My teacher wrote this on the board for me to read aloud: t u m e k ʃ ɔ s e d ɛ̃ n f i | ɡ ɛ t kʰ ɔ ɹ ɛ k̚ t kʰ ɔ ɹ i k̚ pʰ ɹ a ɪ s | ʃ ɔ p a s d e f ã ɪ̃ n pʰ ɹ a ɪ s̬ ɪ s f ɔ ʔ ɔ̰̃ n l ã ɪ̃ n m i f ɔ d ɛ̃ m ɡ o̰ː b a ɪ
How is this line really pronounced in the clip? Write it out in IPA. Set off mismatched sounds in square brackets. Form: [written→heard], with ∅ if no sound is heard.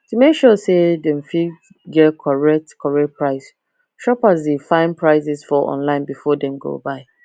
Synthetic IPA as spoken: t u m e k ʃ ɔ s e d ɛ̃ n f i | ɡ ɛ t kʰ ɔ ɹ ɛ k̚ t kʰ ɔ ɹ [i→ɛ] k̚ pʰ ɹ a ɪ s | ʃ ɔ p a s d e f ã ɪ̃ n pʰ ɹ a ɪ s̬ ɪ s f ɔ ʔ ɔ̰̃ n l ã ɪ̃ n [m→b] i f ɔ d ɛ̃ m ɡ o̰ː b a ɪ